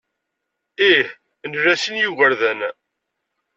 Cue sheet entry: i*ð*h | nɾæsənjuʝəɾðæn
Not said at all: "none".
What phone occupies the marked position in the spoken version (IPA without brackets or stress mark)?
none